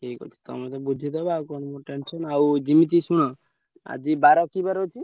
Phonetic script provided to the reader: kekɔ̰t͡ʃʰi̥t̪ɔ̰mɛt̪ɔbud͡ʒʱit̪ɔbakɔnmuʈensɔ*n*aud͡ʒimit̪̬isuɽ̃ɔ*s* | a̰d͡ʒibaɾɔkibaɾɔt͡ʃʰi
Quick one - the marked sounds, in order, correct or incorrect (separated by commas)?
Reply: correct, incorrect